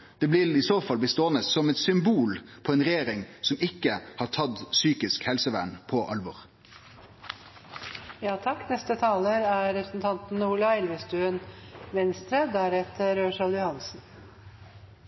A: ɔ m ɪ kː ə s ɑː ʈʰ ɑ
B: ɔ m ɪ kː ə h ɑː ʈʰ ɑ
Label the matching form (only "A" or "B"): B